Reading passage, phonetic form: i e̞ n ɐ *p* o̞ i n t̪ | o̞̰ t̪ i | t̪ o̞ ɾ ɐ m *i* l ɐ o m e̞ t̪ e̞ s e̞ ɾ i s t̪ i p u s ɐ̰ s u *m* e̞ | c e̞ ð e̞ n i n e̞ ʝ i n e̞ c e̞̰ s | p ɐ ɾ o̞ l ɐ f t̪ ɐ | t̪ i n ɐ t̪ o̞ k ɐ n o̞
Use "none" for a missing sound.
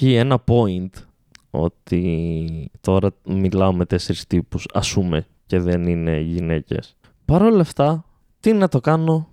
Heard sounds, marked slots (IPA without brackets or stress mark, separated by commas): p, i, m